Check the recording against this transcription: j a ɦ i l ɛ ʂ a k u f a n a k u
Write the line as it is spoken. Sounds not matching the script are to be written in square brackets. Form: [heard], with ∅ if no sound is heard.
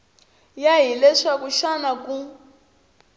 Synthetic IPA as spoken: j a ɦ i l ɛ ʂ a k u [ʃ] a n a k u

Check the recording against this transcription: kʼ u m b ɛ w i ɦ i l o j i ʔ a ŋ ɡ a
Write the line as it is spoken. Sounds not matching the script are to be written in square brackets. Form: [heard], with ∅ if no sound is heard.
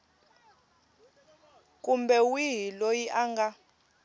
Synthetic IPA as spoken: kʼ u m b ɛ w i ɦ i l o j i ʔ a ŋ ɡ a

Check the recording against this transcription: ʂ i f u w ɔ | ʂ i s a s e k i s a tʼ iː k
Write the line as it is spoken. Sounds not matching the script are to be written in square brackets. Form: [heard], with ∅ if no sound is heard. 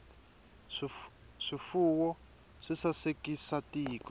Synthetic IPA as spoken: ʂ i f u w ɔ | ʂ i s a s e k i s a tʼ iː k

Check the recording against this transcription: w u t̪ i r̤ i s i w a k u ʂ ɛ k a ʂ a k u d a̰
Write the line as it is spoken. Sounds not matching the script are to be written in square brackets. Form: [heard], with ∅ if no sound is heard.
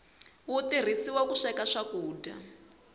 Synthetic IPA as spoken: w u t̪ i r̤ i s i w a k u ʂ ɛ k a ʂ a k [uː] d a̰

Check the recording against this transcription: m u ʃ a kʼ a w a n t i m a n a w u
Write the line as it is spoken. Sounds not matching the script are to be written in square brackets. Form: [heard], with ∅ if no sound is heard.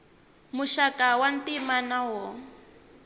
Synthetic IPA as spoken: m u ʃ a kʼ a w a n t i m a n a w [ɔ]

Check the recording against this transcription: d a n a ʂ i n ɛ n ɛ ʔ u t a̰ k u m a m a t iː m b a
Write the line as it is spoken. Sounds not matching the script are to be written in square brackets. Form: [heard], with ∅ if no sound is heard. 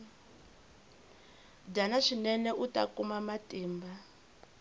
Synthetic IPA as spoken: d a n a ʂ i n ɛ n ɛ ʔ u t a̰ k u m a m a t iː m b a

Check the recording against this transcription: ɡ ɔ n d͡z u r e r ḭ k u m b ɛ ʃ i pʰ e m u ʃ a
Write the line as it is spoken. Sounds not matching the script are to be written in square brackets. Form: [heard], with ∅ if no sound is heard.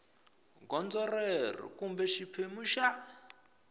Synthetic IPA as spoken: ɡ ɔ n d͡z [ɔ] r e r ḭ k u m b ɛ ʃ i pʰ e m u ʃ a

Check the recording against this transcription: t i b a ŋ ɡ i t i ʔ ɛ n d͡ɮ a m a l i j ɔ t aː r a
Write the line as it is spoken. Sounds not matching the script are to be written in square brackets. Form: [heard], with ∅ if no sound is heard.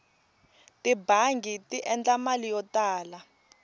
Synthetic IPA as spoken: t i b a ŋ ɡ i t i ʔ ɛ n d͡ɮ a m a l i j ɔ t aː [l] a

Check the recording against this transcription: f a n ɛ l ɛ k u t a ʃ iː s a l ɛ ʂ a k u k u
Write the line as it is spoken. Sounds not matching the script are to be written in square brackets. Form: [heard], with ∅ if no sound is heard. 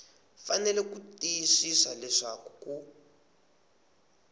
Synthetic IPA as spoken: f a n ɛ l ɛ k u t [i] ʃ [i] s a l ɛ ʂ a k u k u

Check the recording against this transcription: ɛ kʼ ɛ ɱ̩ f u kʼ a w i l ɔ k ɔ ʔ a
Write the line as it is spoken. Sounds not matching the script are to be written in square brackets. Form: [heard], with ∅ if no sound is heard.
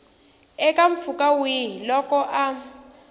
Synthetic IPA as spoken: ɛ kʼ [a] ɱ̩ f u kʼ a w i l ɔ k ɔ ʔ a

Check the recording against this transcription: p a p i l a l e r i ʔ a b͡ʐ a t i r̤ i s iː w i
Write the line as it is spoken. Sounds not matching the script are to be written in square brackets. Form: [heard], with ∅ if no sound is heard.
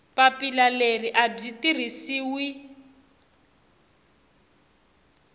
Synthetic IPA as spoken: p a p i l a l e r i ʔ a b͡ʐ [i] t i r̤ i s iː w i

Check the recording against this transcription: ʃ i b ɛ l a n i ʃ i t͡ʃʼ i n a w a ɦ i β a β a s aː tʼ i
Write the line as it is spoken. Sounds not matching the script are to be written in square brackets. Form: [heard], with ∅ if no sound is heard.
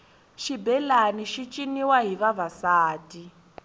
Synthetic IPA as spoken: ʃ i b ɛ l a n i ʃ i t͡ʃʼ i n [i] w a ɦ i β a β a s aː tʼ i

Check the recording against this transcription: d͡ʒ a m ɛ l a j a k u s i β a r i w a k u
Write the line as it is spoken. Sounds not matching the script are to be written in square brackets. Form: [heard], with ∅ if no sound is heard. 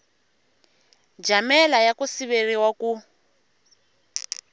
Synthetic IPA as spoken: d͡ʒ a m ɛ l a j a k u s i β [e] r i w a k u

